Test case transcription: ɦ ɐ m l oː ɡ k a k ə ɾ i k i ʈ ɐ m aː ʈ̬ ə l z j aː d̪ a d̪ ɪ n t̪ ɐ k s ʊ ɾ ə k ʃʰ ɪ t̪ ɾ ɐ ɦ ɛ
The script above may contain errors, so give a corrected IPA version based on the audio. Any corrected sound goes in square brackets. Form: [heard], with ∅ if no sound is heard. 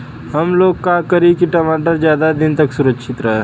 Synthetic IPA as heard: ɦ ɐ m l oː ɡ k a k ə ɾ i k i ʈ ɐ m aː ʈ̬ ə [ɾ] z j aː d̪ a d̪ ɪ n t̪ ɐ k s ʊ ɾ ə k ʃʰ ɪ t̪ ɾ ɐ ɦ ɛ